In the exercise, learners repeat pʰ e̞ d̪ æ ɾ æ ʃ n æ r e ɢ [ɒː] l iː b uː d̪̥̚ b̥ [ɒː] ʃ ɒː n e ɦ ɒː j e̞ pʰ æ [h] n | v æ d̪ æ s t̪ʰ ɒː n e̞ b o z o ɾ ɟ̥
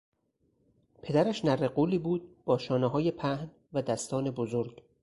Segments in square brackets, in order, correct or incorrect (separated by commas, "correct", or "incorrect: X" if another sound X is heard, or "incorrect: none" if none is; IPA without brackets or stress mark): incorrect: uː, correct, correct